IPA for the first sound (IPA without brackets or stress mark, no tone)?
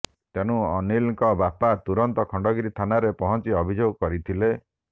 t̪